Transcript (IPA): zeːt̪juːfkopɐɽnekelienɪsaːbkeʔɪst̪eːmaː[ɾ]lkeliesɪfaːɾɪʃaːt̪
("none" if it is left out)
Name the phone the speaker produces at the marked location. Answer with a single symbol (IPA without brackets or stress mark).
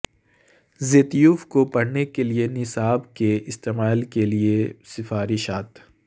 none